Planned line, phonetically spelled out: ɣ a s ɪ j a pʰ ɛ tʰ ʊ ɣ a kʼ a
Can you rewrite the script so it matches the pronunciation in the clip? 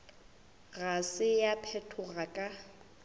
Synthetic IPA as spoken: ɣ a s ɪ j a pʰ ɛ tʰ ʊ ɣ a kʼ a